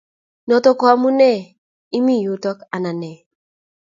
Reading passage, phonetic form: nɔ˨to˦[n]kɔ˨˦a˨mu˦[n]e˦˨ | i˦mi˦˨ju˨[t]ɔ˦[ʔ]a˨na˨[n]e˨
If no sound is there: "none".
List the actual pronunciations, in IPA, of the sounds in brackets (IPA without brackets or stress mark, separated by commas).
none, n, t, k, n